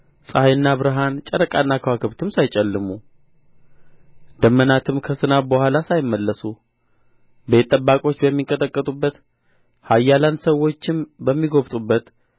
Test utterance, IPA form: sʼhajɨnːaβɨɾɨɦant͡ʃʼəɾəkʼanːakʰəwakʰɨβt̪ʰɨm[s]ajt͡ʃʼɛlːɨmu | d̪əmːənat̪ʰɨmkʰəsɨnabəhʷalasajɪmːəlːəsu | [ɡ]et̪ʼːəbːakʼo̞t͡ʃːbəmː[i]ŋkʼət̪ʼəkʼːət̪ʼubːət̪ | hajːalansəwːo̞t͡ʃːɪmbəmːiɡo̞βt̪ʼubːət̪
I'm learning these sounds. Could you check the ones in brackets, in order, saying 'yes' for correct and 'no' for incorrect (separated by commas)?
yes, no, yes